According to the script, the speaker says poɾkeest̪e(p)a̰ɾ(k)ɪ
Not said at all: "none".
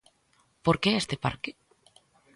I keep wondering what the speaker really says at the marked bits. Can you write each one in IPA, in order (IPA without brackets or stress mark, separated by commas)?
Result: p, k